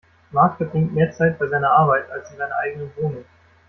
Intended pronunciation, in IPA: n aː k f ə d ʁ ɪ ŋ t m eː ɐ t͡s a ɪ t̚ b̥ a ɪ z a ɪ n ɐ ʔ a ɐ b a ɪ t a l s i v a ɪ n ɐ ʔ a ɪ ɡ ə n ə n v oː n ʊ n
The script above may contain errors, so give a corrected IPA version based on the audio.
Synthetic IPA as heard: m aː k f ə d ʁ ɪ ŋ t m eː ɐ t͡s a ɪ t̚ b̥ a ɪ z a ɪ n ɐ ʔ a ɐ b a ɪ t a l s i z a ɪ n ɐ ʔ a ɪ ɡ ə n ə n v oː n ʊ ŋ